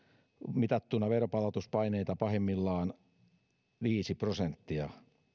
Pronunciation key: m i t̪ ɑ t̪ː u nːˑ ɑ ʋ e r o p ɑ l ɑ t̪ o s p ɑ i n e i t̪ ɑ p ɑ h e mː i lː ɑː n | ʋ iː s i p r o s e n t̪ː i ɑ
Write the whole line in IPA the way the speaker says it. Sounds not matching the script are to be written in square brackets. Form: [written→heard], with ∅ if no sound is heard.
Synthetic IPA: m i t̪ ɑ t̪ː u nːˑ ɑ ʋ e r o p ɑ l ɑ t̪ [o→u] s p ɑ i n e i t̪ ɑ p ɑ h e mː i lː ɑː n | ʋ iː s i p r o s e n t̪ː i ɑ